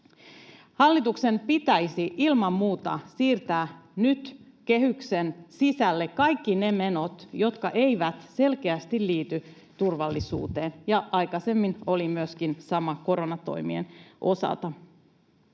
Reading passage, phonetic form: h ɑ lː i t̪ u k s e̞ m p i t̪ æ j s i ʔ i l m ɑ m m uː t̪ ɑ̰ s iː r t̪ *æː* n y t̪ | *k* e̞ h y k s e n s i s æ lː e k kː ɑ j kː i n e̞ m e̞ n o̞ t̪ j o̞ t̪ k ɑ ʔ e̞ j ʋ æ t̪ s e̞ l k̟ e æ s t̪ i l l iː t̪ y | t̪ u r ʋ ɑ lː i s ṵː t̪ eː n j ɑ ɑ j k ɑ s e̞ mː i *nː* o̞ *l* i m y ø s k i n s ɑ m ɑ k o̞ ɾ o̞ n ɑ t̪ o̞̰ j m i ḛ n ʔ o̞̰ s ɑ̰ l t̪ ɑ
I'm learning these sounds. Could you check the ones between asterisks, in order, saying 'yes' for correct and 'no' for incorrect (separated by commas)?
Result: yes, yes, no, yes